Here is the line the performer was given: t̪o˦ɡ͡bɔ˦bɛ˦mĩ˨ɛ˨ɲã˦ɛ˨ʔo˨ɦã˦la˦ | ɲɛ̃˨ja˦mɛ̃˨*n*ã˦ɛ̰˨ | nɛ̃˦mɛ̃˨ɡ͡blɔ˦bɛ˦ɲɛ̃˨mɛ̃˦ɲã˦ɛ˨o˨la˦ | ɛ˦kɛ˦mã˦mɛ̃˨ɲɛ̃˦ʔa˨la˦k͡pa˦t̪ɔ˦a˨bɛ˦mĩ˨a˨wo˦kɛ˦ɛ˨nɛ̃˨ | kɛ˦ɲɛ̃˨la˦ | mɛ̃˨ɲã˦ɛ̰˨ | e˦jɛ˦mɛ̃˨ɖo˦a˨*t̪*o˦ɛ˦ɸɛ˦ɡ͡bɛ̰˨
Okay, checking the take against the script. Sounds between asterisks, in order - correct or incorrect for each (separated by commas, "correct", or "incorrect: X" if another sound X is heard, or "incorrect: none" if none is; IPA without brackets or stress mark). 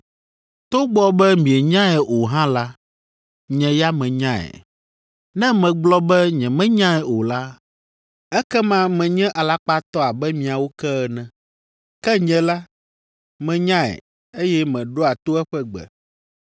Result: incorrect: ɲ, correct